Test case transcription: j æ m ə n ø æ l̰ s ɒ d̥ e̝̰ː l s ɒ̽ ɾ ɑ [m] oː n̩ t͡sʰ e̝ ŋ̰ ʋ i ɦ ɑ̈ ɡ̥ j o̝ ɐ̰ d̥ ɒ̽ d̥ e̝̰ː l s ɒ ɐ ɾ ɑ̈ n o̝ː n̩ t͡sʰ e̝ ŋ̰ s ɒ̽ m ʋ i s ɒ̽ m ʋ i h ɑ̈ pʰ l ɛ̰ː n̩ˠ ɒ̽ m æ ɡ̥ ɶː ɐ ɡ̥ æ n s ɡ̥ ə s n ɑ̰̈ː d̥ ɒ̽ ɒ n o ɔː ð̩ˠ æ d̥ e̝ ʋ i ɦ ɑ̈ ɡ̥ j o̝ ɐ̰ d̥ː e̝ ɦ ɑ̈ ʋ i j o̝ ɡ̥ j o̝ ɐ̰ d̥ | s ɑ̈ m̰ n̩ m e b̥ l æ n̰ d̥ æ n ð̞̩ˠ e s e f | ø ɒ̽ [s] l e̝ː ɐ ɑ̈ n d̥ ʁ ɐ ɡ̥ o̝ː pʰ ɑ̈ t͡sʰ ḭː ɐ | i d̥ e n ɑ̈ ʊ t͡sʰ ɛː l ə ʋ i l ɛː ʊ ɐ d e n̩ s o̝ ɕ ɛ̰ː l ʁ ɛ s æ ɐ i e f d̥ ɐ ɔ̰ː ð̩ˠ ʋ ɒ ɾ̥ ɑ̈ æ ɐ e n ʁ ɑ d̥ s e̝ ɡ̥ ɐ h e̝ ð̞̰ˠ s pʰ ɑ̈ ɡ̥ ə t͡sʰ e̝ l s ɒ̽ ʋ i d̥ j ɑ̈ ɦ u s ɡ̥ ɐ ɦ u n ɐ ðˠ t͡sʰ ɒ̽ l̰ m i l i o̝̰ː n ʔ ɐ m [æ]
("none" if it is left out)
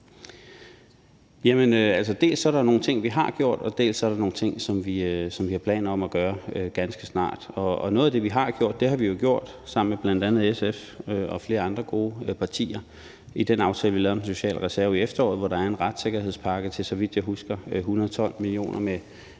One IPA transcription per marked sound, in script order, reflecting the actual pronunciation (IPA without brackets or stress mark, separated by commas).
n, f, e